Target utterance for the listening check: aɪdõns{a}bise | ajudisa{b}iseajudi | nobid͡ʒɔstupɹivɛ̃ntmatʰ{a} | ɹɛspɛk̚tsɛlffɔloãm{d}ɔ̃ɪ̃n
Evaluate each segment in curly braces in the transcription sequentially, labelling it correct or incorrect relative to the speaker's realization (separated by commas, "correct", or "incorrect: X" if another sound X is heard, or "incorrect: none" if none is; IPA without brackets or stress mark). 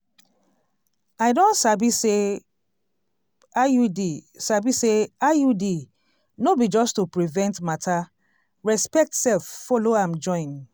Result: correct, correct, correct, incorrect: d͡ʒ